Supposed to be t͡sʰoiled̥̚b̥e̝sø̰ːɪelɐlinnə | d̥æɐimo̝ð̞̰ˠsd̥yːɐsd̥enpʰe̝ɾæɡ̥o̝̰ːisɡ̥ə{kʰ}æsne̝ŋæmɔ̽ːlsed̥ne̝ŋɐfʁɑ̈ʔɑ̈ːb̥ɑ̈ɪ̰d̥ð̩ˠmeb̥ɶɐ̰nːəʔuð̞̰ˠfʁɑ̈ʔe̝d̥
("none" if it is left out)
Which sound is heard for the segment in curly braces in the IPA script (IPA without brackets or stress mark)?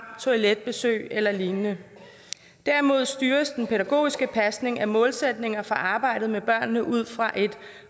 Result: pʰ